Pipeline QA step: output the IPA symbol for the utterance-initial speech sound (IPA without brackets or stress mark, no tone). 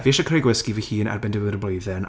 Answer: v